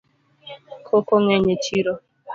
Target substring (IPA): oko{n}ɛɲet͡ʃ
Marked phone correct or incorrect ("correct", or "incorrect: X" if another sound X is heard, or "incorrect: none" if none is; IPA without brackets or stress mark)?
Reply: incorrect: ŋ